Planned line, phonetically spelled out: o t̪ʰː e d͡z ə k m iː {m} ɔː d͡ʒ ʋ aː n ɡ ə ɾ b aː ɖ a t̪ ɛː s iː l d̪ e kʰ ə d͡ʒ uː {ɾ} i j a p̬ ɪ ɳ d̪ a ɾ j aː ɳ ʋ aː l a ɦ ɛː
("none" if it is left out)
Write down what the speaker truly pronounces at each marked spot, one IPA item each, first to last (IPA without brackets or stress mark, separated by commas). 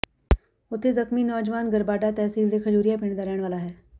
n, ɾ